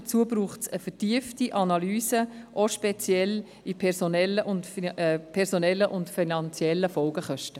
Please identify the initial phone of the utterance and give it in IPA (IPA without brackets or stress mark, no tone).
t͡s